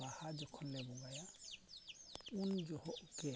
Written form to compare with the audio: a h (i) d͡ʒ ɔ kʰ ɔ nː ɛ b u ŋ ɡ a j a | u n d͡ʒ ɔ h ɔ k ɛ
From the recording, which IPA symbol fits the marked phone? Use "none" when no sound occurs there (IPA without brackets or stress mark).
a